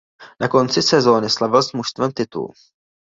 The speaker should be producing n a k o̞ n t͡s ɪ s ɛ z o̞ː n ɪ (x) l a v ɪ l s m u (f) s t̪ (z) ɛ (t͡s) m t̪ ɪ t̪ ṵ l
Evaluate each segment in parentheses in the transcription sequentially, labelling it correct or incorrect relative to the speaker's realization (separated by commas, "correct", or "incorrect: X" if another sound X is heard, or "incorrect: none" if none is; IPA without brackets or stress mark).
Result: incorrect: s, incorrect: ʃ, incorrect: v, incorrect: none